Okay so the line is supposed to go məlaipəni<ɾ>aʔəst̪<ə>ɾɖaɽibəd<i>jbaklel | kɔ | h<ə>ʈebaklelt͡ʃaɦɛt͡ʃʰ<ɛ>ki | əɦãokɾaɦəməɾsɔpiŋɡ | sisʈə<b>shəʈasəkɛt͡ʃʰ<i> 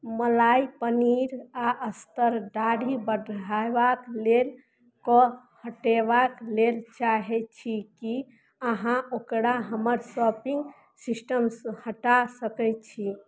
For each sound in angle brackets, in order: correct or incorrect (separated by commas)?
correct, correct, incorrect, correct, incorrect, incorrect, correct